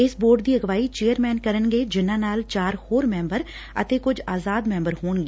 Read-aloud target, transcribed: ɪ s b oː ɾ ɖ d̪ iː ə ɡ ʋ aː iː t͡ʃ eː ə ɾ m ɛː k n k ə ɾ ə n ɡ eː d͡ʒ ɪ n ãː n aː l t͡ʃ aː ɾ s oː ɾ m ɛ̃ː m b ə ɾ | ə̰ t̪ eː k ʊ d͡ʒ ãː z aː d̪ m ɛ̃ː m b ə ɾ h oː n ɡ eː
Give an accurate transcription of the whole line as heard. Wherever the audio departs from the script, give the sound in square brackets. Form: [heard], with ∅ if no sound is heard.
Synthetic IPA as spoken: ɪ s b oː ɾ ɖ d̪ iː ə ɡ ʋ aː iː t͡ʃ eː ə ɾ m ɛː [∅] n k ə ɾ ə n ɡ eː d͡ʒ ɪ n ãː n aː l t͡ʃ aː ɾ [h] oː ɾ m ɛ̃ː m b ə ɾ | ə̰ t̪ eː k ʊ d͡ʒ [aː] z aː d̪ m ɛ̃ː m b ə ɾ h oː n ɡ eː

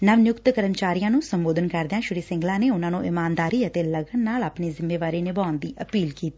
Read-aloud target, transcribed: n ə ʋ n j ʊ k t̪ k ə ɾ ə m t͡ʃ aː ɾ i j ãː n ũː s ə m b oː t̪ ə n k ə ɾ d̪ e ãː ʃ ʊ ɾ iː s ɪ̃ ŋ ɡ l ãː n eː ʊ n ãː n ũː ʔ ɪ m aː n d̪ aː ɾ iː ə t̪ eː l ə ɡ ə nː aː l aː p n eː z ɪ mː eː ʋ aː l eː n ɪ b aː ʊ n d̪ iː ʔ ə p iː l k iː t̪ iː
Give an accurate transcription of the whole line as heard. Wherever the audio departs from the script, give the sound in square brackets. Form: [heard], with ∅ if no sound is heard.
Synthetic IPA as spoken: n ə ʋ n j ʊ k t̪ k ə ɾ ə m t͡ʃ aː ɾ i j ãː n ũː s ə m b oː [d̪] ə n k ə ɾ d̪ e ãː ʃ ʊ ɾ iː s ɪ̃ ŋ ɡ l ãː n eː ʊ n ãː n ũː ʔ ɪ m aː n d̪ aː ɾ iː ə t̪ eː l ə ɡ ə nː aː l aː p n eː z ɪ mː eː ʋ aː [ɾ] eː n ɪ b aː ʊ n d̪ iː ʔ ə p iː l k iː t̪ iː

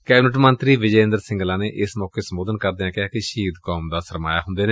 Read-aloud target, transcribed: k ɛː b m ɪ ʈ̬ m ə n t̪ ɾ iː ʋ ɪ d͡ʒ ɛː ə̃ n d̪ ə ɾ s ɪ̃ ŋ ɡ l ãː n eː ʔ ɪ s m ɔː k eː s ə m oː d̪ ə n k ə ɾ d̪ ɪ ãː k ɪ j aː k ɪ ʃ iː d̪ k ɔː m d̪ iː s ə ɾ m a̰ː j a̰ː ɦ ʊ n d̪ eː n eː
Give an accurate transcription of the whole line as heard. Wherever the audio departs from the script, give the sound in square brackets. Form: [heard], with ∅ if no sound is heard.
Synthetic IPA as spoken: k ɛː b [n] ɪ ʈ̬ m ə n t̪ ɾ iː ʋ ɪ d͡ʒ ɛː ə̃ n d̪ ə ɾ s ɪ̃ ŋ ɡ l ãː n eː ʔ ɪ s m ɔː k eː s ə m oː d̪ ə n k ə ɾ d̪ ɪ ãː k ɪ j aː k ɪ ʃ iː d̪ k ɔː m d̪ [aː] s ə ɾ m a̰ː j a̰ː ɦ ʊ n d̪ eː n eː

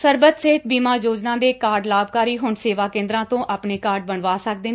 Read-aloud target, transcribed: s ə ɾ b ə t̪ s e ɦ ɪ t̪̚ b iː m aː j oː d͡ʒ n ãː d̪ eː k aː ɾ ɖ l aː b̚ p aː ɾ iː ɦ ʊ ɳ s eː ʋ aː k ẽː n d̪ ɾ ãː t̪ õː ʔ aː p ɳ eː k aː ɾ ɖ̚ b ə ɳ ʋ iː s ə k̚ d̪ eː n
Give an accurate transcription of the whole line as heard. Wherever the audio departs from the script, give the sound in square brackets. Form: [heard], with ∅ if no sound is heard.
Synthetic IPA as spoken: s ə ɾ b ə t̪ s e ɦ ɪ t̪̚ b iː m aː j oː d͡ʒ n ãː d̪ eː k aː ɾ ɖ l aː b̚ [k] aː ɾ iː ɦ ʊ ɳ s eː ʋ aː k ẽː n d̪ ɾ ãː t̪ õː ʔ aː p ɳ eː k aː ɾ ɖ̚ b ə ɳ ʋ [aː] s ə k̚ d̪ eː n

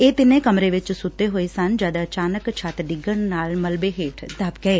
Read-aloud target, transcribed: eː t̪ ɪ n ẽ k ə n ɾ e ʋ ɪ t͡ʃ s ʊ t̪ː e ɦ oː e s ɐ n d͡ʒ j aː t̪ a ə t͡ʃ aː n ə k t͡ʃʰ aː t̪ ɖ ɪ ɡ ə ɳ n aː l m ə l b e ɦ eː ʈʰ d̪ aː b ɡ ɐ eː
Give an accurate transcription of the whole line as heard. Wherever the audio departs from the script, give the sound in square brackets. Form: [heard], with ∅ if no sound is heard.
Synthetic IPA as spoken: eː t̪ ɪ n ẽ k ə [m] ɾ e ʋ ɪ t͡ʃ s ʊ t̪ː e ɦ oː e s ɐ n d͡ʒ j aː [d̪] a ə t͡ʃ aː n ə k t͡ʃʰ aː t̪ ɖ ɪ ɡ ə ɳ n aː l m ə l b e ɦ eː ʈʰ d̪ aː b ɡ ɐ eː

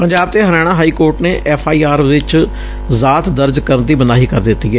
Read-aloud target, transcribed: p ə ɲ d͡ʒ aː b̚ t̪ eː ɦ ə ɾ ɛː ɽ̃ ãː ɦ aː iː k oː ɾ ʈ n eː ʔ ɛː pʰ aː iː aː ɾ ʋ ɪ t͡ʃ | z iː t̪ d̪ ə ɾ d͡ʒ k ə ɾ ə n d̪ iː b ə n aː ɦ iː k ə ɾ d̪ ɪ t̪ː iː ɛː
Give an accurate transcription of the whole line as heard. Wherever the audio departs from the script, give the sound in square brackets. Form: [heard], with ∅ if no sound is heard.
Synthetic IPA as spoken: p ə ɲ d͡ʒ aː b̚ t̪ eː ɦ ə ɾ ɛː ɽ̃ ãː ɦ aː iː k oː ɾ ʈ n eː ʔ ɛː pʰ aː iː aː ɾ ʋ ɪ t͡ʃ | z [aː] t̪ d̪ ə ɾ d͡ʒ k ə ɾ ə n d̪ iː b ə n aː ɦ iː k ə ɾ d̪ ɪ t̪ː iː ɛː

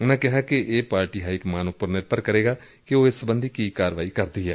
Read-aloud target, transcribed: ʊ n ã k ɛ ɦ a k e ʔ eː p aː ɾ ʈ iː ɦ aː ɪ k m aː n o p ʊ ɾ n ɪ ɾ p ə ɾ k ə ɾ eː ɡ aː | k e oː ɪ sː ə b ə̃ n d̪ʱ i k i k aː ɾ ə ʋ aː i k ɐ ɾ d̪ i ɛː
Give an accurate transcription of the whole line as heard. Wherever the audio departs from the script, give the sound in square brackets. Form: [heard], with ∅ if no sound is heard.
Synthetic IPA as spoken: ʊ n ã k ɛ ɦ a k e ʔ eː p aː ɾ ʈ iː ɦ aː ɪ k m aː n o p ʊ ɾ n ɪ ɾ p ə ɾ k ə ɾ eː ɡ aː | k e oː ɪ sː ə b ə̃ n d̪ʱ i k i k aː ɾ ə ʋ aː i k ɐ ɾ d̪ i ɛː

